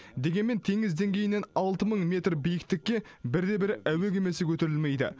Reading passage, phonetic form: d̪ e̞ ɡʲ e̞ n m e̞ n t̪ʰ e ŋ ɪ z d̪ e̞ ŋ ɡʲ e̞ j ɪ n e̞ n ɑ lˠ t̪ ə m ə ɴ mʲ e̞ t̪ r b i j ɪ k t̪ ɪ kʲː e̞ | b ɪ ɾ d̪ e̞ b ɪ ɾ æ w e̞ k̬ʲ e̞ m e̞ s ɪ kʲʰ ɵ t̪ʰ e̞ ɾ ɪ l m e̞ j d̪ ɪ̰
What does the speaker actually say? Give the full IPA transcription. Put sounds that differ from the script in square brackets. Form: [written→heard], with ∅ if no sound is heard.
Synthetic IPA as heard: d̪ e̞ ɡʲ e̞ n m e̞ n t̪ʰ e ŋ ɪ z d̪ e̞ ŋ ɡʲ e̞ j ɪ n e̞ n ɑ lˠ t̪ ə m ə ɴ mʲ e̞ t̪ r b i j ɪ k t̪ ɪ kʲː e̞ | b ɪ ɾ d̪ e̞ b ɪ ɾ æ w e̞ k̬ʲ e̞ m e̞ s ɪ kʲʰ ɵ [t̪ʰ→t̪] e̞ ɾ ɪ l m e̞ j d̪ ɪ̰